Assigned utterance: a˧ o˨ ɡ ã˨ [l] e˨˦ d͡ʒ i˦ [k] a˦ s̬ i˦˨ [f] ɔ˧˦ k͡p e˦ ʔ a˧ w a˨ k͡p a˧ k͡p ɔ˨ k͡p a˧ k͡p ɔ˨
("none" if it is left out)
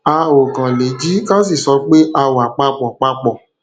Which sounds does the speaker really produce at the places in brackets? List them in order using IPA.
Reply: l, k, s

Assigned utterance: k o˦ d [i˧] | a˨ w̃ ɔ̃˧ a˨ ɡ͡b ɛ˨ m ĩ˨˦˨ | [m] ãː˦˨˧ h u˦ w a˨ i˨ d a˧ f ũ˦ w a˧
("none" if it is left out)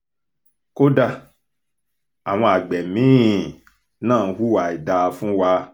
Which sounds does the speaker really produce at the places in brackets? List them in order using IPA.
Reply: a˧, n

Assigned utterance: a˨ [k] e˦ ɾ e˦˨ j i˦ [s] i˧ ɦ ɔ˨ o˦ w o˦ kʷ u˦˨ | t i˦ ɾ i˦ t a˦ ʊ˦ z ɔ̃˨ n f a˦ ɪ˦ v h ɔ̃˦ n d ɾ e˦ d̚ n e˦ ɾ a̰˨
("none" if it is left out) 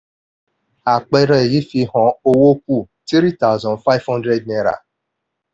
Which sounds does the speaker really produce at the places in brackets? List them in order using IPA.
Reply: k͡p, f

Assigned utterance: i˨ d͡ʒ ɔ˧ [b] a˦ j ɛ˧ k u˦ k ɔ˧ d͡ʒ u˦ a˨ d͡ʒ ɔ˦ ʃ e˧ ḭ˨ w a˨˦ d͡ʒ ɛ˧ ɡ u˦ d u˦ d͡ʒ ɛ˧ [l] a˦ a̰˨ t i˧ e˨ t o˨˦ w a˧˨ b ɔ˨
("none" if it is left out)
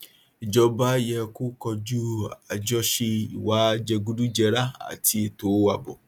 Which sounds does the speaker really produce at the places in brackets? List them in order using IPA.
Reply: b, ɾ

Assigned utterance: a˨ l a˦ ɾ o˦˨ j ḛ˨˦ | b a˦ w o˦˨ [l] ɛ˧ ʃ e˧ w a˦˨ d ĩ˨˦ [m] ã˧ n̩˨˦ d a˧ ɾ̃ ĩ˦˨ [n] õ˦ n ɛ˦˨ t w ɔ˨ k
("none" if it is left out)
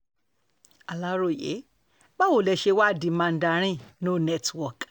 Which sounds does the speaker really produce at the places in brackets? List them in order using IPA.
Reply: l, m, n

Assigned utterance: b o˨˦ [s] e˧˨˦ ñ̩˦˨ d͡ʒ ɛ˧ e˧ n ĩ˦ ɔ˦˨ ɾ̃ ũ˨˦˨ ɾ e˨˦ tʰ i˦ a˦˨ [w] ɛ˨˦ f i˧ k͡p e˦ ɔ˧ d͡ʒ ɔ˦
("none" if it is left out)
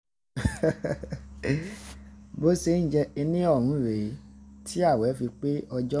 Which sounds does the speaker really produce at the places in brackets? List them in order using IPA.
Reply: s, w

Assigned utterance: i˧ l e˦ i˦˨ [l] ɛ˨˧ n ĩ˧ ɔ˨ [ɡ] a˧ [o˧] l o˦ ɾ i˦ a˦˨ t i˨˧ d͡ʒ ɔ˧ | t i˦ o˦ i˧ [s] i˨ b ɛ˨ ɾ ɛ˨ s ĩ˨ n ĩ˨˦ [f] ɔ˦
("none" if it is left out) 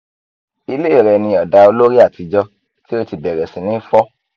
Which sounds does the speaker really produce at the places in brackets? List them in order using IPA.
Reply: ɾ, d, o˧, t, f

